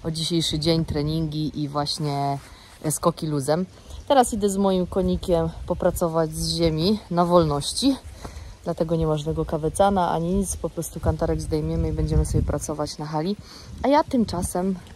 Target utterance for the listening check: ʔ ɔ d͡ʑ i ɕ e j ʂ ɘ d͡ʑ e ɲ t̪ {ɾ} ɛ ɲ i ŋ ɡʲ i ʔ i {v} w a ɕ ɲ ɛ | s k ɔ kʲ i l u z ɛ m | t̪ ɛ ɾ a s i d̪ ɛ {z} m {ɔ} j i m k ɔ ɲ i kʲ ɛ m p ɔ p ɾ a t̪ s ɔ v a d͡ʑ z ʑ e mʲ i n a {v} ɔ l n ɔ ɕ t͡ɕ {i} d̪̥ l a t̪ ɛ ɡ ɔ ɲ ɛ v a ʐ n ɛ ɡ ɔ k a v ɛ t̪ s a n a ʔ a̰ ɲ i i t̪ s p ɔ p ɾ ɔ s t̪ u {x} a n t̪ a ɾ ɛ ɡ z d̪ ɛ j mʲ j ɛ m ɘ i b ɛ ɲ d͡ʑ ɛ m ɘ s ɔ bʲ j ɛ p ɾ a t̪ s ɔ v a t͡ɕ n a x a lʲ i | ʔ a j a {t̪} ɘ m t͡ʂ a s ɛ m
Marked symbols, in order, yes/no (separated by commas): yes, yes, yes, yes, yes, yes, no, yes